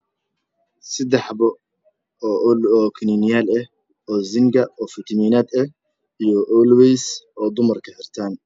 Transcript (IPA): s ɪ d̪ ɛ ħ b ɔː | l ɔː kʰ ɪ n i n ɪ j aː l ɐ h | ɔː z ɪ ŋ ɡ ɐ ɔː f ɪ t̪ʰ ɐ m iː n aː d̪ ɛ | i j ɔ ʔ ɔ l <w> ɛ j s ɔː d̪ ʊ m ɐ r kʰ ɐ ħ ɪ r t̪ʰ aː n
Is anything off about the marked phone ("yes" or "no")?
no